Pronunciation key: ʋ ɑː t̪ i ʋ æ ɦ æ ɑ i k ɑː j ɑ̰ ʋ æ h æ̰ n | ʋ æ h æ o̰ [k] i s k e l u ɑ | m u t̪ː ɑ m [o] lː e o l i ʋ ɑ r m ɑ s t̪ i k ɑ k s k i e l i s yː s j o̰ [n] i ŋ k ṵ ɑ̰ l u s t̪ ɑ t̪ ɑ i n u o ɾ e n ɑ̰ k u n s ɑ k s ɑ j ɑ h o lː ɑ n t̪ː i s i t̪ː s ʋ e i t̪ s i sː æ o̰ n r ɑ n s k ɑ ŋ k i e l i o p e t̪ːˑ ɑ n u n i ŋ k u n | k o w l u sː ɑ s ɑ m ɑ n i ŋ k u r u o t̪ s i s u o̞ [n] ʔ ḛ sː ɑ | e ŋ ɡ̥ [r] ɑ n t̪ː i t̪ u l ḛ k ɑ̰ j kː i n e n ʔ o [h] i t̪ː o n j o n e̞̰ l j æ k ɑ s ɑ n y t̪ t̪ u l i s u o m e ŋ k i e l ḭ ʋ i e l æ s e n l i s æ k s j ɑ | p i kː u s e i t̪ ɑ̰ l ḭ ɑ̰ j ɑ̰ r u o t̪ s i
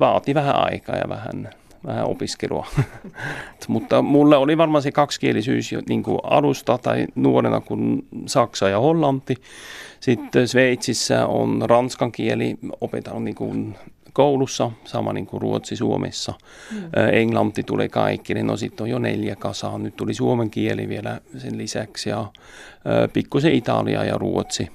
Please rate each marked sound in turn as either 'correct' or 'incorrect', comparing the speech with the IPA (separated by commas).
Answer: incorrect, incorrect, correct, incorrect, incorrect, incorrect